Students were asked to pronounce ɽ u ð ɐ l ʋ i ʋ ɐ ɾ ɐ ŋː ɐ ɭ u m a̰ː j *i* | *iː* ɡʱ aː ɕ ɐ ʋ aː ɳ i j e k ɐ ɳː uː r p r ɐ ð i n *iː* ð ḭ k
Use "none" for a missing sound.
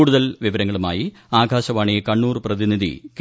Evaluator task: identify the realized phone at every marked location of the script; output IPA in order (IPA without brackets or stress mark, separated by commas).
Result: i, aː, i